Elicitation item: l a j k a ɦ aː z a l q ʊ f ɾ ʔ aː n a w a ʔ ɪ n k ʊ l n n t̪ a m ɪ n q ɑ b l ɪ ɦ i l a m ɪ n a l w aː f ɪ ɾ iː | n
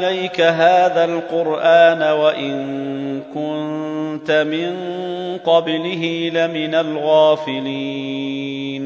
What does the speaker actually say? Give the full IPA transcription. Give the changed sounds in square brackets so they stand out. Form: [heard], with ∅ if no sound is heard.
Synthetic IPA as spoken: l a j k a ɦ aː [ð] a l q ʊ [∅] ɾ ʔ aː n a w a ʔ ɪ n k ʊ [∅] n n t̪ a m ɪ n q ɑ b l ɪ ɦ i l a m ɪ n a l [ɣ] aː f ɪ [l] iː | n